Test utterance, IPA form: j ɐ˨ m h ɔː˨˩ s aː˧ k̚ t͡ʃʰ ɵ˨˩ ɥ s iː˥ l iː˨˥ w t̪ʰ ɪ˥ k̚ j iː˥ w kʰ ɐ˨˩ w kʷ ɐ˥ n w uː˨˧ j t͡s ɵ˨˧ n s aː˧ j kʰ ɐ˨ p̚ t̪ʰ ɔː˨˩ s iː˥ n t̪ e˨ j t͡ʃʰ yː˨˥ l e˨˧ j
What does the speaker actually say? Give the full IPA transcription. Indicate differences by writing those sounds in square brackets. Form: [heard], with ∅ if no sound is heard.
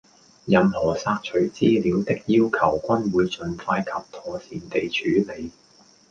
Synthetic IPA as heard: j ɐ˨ m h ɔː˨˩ s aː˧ k̚ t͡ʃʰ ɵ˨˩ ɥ [t͡s] iː˥ l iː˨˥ w [t̪] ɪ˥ k̚ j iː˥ w kʰ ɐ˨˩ w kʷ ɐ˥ n w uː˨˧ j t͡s ɵ˨˧ n [f] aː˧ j kʰ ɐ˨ p̚ t̪ʰ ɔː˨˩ s [iː˨] n t̪ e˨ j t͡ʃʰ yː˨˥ l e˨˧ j